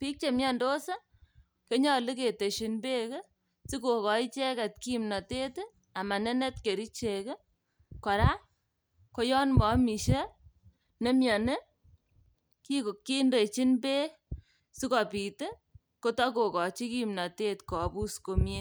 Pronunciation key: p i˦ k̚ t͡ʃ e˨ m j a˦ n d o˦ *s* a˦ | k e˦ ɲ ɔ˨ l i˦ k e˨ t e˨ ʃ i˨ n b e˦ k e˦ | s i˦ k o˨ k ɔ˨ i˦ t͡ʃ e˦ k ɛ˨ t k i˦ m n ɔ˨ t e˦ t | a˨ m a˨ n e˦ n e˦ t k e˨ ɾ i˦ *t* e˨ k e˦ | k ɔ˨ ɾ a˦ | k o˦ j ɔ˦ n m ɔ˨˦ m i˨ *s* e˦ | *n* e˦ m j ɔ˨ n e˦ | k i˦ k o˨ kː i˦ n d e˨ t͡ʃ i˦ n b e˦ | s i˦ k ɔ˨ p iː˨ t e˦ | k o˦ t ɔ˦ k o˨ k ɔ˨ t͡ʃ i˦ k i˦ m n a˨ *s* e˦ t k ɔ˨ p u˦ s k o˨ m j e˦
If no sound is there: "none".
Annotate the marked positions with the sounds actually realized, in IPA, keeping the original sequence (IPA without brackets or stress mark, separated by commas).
s, t͡ʃ, ʃ, n, t